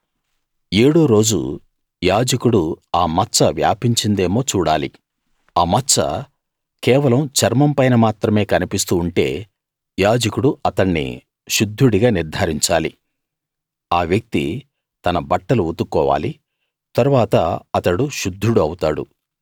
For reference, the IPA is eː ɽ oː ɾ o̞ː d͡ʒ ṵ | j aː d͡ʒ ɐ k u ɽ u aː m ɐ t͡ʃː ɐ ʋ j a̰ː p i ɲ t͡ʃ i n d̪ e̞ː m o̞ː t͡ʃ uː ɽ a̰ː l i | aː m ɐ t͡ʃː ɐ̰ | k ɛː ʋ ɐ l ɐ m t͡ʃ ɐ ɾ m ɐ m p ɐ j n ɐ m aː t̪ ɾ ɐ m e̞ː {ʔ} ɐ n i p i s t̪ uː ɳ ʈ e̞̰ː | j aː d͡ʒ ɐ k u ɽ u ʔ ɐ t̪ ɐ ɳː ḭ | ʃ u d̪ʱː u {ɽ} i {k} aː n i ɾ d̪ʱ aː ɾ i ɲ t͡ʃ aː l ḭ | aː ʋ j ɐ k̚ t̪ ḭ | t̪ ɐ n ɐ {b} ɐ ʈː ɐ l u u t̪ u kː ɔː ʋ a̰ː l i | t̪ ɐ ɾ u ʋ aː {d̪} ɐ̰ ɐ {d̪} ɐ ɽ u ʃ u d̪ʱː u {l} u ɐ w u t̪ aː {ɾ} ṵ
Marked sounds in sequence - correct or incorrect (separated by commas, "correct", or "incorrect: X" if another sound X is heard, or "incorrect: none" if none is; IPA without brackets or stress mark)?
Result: incorrect: k, correct, incorrect: ɡ, correct, incorrect: t̪, incorrect: t̪, incorrect: ɽ, incorrect: ɽ